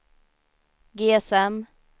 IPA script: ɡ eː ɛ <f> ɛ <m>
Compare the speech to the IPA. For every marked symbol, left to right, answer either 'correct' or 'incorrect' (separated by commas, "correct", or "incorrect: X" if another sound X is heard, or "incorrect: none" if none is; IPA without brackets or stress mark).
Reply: incorrect: s, correct